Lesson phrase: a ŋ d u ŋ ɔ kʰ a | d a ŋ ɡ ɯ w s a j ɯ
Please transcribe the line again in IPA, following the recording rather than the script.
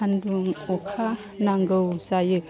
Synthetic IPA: a n d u ŋ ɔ kʰ a | n a ŋ ɡ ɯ w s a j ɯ